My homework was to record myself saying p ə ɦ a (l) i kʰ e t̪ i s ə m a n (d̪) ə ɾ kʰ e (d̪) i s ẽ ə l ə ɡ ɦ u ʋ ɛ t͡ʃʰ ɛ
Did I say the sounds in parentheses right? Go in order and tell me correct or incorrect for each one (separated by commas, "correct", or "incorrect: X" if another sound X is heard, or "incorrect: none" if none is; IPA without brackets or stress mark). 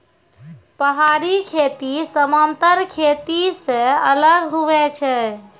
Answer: incorrect: ɾ, incorrect: t̪, incorrect: t̪